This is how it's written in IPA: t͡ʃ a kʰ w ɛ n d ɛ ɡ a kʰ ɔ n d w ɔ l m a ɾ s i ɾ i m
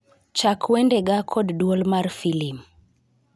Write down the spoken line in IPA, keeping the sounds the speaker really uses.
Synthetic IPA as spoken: t͡ʃ a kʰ w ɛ n d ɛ ɡ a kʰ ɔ d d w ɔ l m a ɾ f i l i m